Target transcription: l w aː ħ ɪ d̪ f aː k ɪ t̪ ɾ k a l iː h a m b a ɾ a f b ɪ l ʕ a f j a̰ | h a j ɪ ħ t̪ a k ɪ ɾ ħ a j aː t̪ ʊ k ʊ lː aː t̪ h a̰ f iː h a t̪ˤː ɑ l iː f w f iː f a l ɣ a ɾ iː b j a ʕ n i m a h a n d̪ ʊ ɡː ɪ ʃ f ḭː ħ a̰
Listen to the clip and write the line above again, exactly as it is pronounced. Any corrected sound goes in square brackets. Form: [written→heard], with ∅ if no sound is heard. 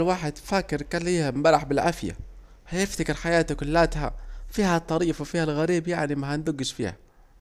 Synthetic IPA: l w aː ħ ɪ d̪ f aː k ɪ [t̪→∅] ɾ k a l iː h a m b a ɾ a [f→ħ] b ɪ l ʕ a f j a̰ | h a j ɪ [ħ→f] t̪ a k ɪ ɾ ħ a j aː t̪ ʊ k ʊ lː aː t̪ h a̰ f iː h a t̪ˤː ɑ [l→ɾ] iː f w f iː [f→h] a l ɣ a ɾ iː b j a ʕ n i m a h a n d̪ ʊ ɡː ɪ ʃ f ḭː [ħ→h] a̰